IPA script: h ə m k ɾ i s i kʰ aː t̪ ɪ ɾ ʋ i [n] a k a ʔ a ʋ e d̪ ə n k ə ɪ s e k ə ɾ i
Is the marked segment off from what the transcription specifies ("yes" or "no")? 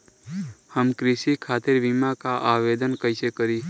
yes